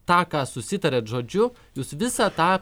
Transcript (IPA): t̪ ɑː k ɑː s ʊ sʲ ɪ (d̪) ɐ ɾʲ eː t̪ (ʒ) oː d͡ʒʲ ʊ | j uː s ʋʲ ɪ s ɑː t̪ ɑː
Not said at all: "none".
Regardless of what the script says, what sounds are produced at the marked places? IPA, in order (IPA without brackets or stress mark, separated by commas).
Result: t̪, ʒ